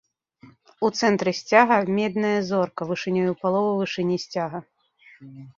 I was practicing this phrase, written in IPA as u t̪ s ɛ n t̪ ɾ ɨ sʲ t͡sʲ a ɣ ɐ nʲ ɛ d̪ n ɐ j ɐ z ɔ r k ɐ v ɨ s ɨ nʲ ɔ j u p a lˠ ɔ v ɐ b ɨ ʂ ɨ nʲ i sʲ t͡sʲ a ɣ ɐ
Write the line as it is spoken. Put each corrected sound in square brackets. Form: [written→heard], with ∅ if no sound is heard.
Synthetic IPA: u t̪ s ɛ n t̪ ɾ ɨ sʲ t͡sʲ a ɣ ɐ [nʲ→mʲ] ɛ d̪ n ɐ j ɐ z ɔ r k ɐ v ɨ [s→ʂ] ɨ nʲ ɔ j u p a lˠ ɔ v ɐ [b→v] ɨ ʂ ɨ nʲ i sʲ t͡sʲ a ɣ ɐ